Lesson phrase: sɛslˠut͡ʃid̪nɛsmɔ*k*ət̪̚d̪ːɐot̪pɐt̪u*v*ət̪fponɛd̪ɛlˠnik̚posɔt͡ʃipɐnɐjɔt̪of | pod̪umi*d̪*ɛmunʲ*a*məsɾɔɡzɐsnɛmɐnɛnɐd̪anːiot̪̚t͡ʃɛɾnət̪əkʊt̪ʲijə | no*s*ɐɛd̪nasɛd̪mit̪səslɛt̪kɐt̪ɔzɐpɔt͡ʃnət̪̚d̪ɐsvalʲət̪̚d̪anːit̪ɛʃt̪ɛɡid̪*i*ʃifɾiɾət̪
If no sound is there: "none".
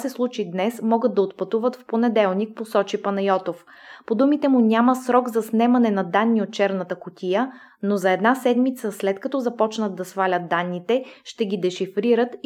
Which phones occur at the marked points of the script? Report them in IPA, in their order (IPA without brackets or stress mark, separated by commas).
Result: ɡ, v, t̪, a, z, ɛ